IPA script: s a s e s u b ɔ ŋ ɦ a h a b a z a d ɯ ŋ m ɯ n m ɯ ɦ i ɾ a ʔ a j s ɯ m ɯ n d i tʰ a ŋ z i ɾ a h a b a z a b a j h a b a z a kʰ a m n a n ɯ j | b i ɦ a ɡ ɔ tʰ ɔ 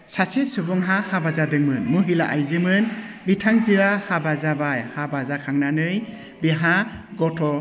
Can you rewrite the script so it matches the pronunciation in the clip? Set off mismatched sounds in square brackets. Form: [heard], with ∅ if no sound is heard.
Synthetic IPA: s a s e s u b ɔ ŋ ɦ a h a b a z a d ɯ ŋ m ɯ n m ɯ ɦ i [l] a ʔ a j [z] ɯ m ɯ n [b] i tʰ a ŋ z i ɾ a h a b a z a b a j h a b a z a kʰ a [ŋ] n a n ɯ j | b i ɦ a ɡ ɔ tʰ ɔ